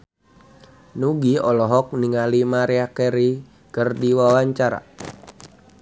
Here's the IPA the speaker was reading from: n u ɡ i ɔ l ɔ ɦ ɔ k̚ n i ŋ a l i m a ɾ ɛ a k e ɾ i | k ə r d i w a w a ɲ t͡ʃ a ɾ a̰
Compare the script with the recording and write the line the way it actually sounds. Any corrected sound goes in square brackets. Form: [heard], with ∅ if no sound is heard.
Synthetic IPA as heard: n u ɡ i ɔ l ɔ ɦ ɔ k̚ n i ŋ a l i m a ɾ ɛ a k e ɾ i | k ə r d i w a w a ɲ t͡ʃ a ɾ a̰